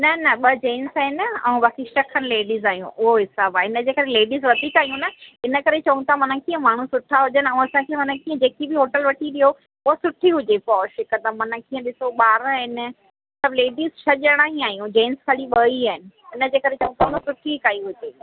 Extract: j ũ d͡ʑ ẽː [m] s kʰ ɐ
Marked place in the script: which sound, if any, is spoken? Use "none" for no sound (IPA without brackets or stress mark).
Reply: n